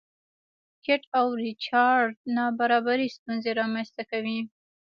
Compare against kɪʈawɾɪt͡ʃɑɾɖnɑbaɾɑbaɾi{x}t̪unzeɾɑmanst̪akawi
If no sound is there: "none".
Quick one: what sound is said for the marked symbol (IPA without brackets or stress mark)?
s